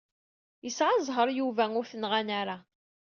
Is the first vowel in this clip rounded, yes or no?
no